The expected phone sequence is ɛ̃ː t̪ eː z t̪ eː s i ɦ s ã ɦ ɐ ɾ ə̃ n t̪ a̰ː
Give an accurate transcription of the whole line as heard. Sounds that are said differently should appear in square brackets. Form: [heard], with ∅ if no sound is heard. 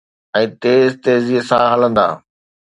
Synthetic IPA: ɛ̃ː t̪ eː z t̪ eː [z] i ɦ s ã ɦ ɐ [l] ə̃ n [d̪] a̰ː